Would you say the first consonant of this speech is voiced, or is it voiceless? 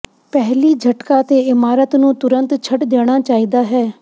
voiceless